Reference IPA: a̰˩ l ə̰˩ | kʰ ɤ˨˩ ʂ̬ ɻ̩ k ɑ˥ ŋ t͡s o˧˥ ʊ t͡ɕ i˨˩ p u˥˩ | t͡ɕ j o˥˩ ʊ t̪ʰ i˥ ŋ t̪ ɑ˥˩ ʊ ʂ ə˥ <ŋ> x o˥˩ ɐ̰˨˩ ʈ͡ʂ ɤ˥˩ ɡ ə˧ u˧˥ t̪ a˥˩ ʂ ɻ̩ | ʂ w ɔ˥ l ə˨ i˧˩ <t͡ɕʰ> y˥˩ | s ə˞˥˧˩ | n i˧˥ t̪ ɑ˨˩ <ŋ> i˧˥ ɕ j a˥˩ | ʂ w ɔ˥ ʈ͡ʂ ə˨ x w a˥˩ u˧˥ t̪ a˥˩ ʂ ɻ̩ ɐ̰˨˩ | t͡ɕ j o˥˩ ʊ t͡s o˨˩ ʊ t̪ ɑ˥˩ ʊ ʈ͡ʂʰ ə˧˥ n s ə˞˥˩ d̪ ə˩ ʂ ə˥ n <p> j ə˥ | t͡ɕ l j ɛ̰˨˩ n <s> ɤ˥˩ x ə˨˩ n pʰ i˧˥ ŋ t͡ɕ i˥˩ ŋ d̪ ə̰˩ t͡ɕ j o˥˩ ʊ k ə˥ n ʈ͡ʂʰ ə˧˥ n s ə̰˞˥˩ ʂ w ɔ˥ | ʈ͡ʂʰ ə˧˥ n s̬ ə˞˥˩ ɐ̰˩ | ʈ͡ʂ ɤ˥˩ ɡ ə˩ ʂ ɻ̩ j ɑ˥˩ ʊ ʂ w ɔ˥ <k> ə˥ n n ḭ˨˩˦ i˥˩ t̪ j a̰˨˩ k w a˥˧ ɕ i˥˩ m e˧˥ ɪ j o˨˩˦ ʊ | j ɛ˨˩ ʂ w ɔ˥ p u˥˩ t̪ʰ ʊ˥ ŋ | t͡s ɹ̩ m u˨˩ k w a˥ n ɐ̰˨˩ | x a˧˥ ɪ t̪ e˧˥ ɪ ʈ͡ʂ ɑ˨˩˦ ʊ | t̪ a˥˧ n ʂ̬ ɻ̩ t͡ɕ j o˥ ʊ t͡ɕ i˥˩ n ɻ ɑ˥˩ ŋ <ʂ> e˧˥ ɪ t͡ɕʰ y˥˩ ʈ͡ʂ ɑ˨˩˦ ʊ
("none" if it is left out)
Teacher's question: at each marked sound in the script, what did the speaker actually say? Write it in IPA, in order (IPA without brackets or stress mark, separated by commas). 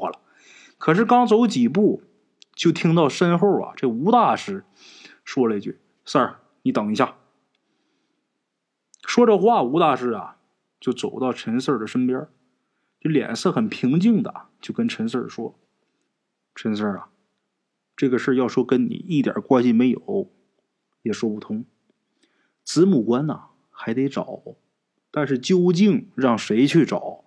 n, t͡ɕ, ŋ, p, s, k, ʂ